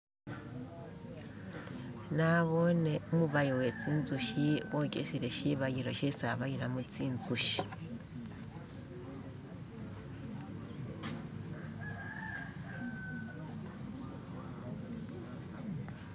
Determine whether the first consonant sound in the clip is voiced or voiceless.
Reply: voiced